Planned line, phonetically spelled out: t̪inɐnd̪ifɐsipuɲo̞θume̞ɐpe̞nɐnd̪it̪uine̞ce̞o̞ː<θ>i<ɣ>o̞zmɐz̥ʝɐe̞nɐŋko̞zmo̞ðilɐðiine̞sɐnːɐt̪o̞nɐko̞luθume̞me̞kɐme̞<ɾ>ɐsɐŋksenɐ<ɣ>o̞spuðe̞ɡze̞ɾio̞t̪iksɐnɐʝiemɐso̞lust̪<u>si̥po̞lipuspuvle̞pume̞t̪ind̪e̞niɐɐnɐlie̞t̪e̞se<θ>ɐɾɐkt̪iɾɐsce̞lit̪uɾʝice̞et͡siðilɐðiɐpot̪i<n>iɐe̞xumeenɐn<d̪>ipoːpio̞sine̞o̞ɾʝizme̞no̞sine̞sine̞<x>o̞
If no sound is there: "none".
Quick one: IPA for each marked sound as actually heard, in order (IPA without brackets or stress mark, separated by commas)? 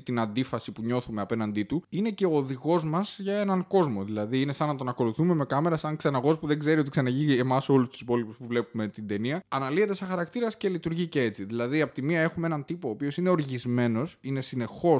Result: ð, ɣ, ɾ, ɣ, u, x, m, t̪, x